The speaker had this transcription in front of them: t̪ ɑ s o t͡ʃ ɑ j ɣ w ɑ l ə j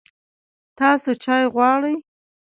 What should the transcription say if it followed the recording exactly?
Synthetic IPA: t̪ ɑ s o t͡ʃ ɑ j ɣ w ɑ ɽ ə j